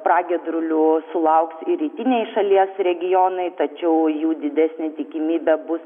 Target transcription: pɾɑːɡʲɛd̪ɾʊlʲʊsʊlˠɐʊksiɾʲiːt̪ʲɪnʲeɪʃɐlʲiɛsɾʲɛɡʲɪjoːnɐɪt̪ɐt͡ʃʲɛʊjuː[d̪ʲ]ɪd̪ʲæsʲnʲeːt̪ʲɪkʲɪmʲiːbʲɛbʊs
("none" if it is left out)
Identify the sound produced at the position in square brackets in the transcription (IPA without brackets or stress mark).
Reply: d̪ʲ